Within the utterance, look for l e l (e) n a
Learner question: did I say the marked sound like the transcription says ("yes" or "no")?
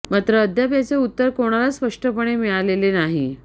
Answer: yes